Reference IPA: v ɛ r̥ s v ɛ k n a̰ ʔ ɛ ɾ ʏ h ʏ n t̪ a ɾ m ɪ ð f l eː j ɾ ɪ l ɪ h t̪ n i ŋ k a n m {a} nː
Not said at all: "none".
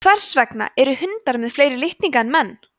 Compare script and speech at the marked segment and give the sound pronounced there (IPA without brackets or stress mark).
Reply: ɛ